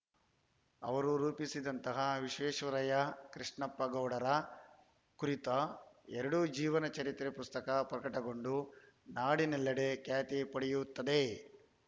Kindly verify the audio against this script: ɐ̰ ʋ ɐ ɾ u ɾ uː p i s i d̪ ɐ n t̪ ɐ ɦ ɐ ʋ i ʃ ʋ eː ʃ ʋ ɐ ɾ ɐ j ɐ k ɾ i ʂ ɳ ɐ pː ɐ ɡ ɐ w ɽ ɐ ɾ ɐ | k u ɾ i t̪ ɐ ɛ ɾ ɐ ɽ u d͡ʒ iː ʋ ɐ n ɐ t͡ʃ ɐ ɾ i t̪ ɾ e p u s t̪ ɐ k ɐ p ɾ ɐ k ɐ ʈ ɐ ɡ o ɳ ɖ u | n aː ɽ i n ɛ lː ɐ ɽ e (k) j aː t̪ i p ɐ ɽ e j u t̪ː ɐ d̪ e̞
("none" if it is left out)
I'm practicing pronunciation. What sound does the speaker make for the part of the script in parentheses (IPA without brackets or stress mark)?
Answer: k